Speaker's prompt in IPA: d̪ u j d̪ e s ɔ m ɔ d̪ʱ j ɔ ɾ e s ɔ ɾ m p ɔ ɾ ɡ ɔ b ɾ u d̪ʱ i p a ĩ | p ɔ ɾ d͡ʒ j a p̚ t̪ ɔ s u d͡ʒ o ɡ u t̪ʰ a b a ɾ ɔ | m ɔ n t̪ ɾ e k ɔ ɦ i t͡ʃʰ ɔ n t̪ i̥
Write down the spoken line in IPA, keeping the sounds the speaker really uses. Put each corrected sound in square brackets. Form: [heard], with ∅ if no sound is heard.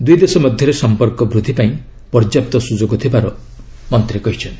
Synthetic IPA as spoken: d̪ u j d̪ e s ɔ m ɔ d̪ʱ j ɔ ɾ e s ɔ [∅] m p ɔ ɾ [k] ɔ b ɾ u d̪ʱ i p a ĩ | p ɔ ɾ d͡ʒ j a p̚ t̪ ɔ s u d͡ʒ o ɡ [ɔ] t̪ʰ [i] b a ɾ ɔ | m ɔ n t̪ ɾ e k ɔ ɦ i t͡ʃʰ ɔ n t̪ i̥